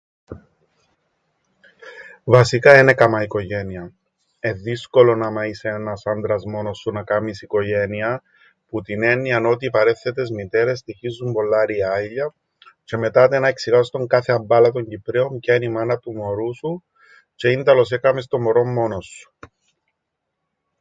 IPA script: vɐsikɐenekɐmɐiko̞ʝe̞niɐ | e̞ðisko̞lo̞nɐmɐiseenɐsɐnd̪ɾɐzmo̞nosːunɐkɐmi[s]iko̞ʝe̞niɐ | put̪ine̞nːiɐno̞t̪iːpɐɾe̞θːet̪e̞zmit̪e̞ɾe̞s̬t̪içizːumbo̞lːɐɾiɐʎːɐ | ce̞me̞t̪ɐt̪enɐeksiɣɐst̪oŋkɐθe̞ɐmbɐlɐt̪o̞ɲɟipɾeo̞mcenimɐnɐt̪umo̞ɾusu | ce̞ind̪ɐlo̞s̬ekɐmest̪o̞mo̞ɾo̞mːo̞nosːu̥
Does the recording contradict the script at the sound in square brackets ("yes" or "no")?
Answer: no